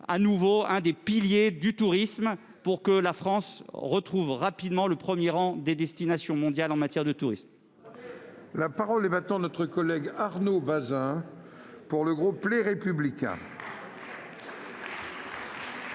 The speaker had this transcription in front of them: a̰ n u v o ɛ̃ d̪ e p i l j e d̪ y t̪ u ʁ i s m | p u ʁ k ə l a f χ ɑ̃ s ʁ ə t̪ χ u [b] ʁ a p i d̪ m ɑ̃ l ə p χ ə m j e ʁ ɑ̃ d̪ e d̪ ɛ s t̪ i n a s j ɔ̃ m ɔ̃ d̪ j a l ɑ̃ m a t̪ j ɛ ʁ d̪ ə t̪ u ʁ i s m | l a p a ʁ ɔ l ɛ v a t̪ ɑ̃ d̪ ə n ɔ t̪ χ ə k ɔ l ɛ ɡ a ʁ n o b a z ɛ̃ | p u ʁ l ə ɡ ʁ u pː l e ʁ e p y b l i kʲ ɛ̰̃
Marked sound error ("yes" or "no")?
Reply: yes